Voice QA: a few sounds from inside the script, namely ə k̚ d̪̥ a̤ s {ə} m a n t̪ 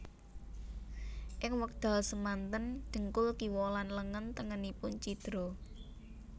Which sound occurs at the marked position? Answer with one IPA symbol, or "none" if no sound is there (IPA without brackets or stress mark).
ə